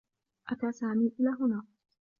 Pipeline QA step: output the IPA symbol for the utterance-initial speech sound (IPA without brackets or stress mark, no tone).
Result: ʔ